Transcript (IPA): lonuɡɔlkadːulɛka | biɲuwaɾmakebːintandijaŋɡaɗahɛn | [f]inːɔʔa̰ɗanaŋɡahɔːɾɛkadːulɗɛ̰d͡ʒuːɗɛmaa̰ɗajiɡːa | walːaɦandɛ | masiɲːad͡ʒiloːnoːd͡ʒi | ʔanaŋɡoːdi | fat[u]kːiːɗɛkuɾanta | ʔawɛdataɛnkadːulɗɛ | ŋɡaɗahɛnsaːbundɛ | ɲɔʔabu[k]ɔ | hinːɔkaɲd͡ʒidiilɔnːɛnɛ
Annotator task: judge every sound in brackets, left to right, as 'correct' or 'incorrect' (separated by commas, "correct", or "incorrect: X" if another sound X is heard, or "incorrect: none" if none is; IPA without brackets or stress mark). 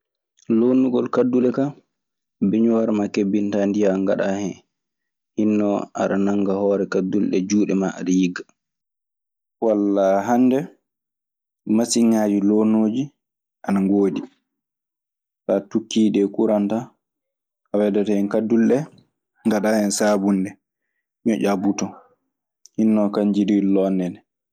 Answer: incorrect: h, correct, incorrect: t